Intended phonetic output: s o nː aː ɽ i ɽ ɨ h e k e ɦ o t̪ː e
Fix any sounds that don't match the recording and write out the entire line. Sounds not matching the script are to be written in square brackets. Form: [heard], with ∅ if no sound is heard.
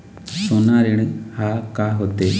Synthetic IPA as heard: s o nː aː [ɾ] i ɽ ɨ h [a] k [a] ɦ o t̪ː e